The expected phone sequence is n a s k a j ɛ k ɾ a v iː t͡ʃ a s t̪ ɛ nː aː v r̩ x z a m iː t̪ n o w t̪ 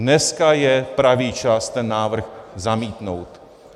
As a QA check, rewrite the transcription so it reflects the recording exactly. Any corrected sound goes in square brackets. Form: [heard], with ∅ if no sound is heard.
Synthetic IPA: n [ɛ] s k a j ɛ [p] ɾ a v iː t͡ʃ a s t̪ ɛ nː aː v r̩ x z a m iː t̪ n o w t̪

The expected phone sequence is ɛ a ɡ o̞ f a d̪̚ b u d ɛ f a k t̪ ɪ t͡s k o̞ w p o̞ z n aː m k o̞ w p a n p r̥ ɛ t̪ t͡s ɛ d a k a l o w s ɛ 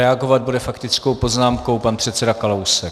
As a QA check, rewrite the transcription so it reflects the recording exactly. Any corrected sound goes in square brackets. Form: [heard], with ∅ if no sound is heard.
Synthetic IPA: ɛ a ɡ o̞ [v] a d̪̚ b u d ɛ f a k t̪ ɪ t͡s k o̞ w p o̞ z n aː m k o̞ w p a n p r̥ ɛ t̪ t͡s ɛ d a k a l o w s ɛ

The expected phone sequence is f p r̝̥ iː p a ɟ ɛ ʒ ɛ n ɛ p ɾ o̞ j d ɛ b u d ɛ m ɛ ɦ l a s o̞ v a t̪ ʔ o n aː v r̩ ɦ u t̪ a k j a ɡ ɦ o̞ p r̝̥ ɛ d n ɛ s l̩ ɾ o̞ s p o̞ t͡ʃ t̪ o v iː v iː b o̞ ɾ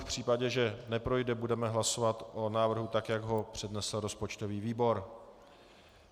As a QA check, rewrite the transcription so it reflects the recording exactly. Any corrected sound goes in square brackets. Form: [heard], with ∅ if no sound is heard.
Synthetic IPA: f p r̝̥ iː p a ɟ ɛ ʒ ɛ n ɛ p ɾ o̞ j d ɛ b u d ɛ m ɛ ɦ l a s o̞ v a t̪ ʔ o n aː v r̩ ɦ u t̪ a k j a ɡ ɦ o̞ p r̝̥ ɛ d n ɛ s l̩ ɾ o̞ s p o̞ t͡ʃ t̪ o v iː v iː b o̞ ɾ

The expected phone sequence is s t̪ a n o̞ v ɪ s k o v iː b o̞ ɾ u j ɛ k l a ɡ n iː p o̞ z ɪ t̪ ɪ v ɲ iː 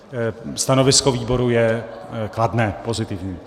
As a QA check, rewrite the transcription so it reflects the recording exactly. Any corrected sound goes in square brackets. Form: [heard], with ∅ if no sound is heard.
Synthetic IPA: s t̪ a n o̞ v ɪ s k o v iː b o̞ ɾ u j ɛ k l a [d] n [ɛː] p o̞ z ɪ t̪ ɪ v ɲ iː

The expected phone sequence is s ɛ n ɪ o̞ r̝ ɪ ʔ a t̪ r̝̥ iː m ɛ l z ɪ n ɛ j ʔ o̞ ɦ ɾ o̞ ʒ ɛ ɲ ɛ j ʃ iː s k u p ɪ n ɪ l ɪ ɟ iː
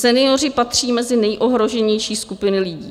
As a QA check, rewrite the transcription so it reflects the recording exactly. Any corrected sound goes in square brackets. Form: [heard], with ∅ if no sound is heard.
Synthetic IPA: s ɛ n ɪ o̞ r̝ ɪ [p] a t̪ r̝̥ iː m ɛ [∅] z ɪ n ɛ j ʔ o̞ ɦ ɾ o̞ ʒ ɛ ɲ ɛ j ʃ iː s k u p ɪ n ɪ l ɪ ɟ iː

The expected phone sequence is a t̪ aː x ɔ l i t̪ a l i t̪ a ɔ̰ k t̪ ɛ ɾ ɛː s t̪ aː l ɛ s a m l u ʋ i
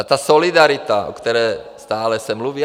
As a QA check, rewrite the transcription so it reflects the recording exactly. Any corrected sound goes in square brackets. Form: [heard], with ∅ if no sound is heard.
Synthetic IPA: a t̪ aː [s] ɔ l i [d̪] a [ɾ] i t̪ a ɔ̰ k t̪ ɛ ɾ ɛː s t̪ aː l ɛ s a m l u ʋ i

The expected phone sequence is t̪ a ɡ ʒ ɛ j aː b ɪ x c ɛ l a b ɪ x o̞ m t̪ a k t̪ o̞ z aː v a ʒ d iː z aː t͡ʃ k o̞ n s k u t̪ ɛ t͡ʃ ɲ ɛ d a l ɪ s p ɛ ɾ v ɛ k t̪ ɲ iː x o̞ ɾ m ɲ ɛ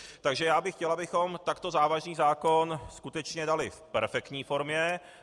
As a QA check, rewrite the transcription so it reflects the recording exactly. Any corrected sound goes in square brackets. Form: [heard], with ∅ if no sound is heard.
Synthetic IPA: t̪ a ɡ ʒ ɛ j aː b ɪ x c ɛ l a b ɪ x o̞ m t̪ a k t̪ o̞ z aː v a ʒ [n] iː z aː [∅] k o̞ n s k u t̪ ɛ t͡ʃ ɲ ɛ d a l ɪ [f] p ɛ ɾ [f] ɛ k t̪ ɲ iː [f] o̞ ɾ m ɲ ɛ

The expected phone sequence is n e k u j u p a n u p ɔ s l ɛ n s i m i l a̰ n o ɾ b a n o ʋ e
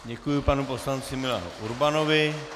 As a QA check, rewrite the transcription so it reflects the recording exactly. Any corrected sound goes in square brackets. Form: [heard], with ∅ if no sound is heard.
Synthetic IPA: [ɲ] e k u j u p a n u p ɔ s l [a] n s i m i l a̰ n [u] ɾ b a n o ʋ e

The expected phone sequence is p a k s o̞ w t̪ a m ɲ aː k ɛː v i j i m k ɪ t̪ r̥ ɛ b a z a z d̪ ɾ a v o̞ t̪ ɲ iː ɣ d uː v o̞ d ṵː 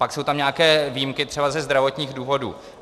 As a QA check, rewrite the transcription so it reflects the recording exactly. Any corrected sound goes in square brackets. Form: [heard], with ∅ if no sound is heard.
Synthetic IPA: p a k s o̞ w t̪ a m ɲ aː k ɛː v i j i m k ɪ t̪ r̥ ɛ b a z [ɛ] z d̪ ɾ a v o̞ t̪ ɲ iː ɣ d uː v o̞ d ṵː

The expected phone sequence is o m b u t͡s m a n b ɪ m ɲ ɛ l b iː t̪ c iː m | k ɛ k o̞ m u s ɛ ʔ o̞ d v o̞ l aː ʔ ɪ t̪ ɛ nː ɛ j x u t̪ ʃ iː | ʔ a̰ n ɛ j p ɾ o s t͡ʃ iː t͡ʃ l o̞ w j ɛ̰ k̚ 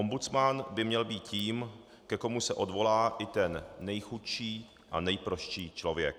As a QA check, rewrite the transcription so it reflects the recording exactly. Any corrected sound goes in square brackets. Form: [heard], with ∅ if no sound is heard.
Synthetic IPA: o m b u t͡s m a n b ɪ m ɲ ɛ l b iː t̪ c iː m | k ɛ k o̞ m u s ɛ ʔ o̞ d v o̞ l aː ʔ ɪ t̪ ɛ nː ɛ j x u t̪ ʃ iː | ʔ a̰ n ɛ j p ɾ o [ʃ] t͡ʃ iː t͡ʃ l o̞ [v] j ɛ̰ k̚

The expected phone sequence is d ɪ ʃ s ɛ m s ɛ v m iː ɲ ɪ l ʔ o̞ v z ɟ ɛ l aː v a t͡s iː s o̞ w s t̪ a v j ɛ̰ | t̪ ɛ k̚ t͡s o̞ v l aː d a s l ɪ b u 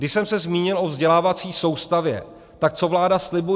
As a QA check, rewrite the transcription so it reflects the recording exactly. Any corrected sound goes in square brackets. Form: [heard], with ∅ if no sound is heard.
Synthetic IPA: d ɪ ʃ s ɛ m s ɛ [z] m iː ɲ ɪ l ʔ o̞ v z ɟ ɛ l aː v a t͡s iː s o̞ w s t̪ a v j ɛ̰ | t̪ [a] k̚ t͡s o̞ v l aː d a s l ɪ b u

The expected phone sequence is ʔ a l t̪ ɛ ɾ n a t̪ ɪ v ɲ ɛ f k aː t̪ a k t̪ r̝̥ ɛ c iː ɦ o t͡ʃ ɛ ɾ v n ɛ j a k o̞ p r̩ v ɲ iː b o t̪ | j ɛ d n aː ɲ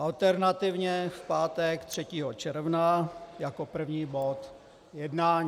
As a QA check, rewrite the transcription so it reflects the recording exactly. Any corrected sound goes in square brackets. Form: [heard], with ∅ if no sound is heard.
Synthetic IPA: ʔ a l t̪ ɛ ɾ n a t̪ ɪ v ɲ ɛ f [p] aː t̪ [ɛ] k t̪ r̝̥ ɛ c iː ɦ o t͡ʃ ɛ ɾ v n [a] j a k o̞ p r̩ v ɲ iː b o t̪ | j ɛ d n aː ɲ

